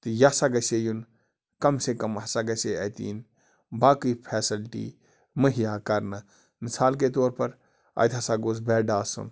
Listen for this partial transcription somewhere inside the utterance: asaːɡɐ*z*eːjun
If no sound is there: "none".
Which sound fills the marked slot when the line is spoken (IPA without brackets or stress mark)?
s